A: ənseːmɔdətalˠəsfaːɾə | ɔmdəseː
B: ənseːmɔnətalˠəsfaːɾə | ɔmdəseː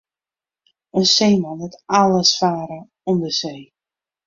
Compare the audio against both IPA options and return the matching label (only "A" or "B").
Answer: B